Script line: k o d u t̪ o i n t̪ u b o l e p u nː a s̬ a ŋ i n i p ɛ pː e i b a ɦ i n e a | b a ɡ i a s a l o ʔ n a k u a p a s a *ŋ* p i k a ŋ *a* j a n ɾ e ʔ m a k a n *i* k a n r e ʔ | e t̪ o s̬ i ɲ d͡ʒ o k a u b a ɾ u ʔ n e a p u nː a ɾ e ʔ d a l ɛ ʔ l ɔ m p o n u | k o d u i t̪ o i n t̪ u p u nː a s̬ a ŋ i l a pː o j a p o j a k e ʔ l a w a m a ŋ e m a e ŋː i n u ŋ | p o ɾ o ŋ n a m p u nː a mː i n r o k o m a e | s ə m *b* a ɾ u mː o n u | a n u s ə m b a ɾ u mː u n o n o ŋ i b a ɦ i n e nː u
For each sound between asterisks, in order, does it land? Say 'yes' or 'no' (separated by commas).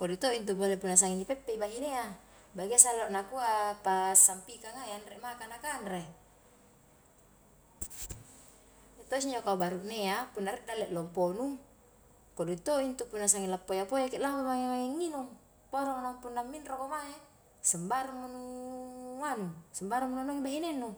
no, yes, no, yes